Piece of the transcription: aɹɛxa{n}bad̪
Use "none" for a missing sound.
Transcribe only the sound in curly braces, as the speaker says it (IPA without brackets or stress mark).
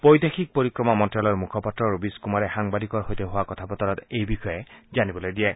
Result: ŋ